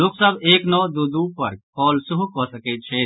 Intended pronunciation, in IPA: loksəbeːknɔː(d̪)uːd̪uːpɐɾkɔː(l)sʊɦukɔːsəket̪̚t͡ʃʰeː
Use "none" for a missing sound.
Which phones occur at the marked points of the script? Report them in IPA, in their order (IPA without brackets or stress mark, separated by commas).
d̪, l